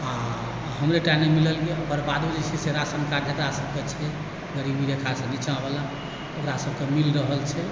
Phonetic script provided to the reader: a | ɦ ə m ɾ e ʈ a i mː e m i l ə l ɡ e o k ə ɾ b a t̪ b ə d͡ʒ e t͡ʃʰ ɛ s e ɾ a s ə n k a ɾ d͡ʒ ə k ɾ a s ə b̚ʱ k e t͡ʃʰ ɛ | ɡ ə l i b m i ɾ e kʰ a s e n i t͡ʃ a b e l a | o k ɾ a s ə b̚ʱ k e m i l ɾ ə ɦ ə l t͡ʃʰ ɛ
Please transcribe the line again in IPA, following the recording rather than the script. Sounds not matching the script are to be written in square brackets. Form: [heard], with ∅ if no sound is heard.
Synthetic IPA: a | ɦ ə m ɾ e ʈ a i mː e m i l ə l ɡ e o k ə ɾ b a [d̪] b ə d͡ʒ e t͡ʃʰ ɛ s e ɾ a s ə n k a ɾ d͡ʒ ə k ɾ a s ə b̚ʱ k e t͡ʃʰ ɛ | ɡ ə [ɾ] i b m i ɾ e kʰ a s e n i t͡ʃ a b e l a | o k ɾ a s ə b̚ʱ k e m i l ɾ ə ɦ ə l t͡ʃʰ ɛ